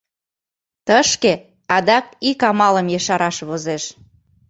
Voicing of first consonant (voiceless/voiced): voiceless